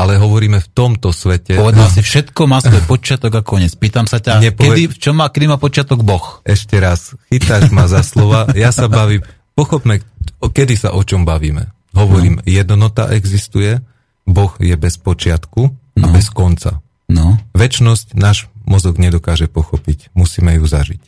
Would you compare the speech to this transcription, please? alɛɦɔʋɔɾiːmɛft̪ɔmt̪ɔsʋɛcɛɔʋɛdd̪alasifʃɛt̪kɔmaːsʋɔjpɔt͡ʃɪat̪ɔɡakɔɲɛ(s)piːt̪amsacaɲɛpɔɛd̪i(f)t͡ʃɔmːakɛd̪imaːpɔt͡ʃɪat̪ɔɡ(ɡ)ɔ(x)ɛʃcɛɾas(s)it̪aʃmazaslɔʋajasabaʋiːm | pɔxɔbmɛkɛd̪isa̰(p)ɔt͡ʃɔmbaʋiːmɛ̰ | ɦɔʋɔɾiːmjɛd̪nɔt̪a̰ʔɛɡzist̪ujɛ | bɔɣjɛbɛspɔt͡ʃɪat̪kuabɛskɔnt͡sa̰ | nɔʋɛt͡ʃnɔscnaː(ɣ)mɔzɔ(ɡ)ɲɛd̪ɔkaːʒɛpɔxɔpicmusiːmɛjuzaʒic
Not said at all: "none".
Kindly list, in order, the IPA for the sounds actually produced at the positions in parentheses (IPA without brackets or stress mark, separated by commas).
t͡s, f, b, x, x, ʔ, ʒ, ɡ